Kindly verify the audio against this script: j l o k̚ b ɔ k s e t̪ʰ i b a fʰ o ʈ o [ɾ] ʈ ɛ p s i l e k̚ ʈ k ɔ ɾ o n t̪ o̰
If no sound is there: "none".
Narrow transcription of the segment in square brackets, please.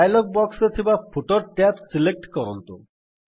ɾ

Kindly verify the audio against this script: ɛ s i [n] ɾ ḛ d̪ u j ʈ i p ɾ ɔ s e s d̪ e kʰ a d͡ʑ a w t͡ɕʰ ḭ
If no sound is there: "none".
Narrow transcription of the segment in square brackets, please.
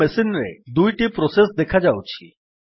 n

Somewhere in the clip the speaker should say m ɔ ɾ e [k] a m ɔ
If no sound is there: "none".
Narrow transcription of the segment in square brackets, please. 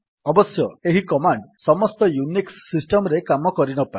k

